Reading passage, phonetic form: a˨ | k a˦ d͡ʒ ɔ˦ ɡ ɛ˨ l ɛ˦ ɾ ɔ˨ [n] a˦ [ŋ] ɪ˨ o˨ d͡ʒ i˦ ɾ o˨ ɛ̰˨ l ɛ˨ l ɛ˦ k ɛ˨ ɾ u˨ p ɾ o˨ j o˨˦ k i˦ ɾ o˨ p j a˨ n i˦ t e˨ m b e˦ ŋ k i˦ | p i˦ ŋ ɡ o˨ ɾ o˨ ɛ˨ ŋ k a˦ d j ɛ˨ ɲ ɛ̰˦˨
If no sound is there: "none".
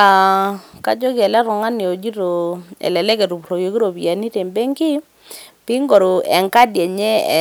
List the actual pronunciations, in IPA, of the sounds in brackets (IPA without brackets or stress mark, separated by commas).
ŋ, n